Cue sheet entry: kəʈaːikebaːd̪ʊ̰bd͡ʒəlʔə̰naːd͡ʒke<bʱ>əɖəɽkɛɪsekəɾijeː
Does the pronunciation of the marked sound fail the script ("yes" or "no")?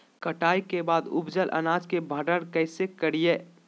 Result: no